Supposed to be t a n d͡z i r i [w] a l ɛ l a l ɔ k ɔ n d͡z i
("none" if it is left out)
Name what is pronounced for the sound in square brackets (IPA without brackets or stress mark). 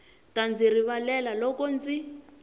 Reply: β